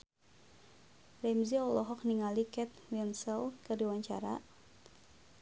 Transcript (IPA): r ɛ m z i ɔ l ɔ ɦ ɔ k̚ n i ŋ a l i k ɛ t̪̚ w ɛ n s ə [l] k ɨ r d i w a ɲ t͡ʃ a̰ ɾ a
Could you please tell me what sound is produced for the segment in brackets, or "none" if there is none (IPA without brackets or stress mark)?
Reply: l